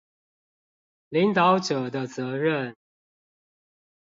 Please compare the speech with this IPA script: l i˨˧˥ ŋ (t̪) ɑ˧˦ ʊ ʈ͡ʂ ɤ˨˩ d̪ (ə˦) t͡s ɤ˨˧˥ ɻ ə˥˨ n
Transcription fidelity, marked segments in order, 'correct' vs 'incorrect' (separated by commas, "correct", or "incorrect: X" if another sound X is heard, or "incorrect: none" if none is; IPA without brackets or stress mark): correct, correct